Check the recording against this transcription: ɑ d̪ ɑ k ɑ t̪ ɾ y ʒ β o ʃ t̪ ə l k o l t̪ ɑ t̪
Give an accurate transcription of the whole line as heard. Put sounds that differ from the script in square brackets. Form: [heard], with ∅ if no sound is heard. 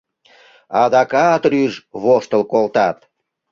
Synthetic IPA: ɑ d̪ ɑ k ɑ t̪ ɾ y ʒ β o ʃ t̪ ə l k o l t̪ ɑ t̪